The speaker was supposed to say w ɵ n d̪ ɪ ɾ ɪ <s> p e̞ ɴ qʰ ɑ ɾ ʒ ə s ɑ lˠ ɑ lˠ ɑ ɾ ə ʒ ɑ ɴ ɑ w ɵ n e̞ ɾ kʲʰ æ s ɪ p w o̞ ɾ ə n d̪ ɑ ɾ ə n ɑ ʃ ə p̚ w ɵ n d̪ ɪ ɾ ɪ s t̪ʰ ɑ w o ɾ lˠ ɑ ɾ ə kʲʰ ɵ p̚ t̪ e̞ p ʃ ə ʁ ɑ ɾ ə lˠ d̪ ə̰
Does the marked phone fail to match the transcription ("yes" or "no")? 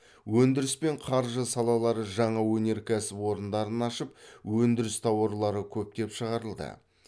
no